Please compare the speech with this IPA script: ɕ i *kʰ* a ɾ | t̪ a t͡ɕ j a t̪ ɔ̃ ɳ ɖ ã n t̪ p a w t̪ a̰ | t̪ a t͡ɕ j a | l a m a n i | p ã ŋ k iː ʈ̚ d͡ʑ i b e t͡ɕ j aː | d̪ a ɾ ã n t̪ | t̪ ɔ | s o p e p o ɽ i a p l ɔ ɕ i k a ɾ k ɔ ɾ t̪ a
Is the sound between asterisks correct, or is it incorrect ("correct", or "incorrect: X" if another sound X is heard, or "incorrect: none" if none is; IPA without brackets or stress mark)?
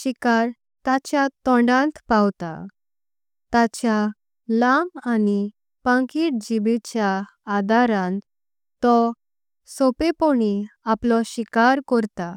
incorrect: k